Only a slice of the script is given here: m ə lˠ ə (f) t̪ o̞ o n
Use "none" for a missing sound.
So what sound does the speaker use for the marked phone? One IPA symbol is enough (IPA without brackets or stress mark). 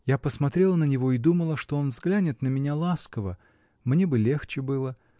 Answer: ʂ